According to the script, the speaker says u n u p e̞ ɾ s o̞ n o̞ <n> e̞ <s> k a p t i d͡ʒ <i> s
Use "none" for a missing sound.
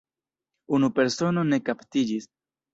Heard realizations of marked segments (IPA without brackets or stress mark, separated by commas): n, none, i